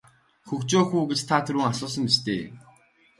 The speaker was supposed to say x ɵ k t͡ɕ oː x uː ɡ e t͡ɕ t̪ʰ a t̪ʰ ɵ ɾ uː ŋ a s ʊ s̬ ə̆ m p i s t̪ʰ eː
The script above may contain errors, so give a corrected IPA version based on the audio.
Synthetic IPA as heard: x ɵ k t͡ɕ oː x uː ɡ e t͡ɕ t̪ʰ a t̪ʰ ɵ ɾ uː ŋ a s ʊː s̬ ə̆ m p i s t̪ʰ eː